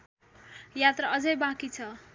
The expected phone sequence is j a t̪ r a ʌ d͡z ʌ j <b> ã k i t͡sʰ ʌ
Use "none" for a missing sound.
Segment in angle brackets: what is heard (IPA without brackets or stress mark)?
b